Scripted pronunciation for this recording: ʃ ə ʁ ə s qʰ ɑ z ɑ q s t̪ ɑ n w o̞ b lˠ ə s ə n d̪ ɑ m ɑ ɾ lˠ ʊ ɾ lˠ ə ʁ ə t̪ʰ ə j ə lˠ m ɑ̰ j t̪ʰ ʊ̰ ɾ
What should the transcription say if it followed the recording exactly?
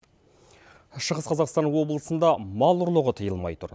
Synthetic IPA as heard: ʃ ə ʁ ə s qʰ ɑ z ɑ q s t̪ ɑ n w o̞ b lˠ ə s ə n d̪ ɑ m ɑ lˠ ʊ ɾ lˠ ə ʁ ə t̪ʰ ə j ə lˠ m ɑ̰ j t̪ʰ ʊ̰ ɾ